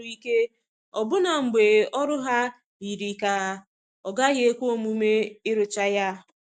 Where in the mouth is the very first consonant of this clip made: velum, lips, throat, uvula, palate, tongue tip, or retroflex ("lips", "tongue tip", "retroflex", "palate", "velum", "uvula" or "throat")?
velum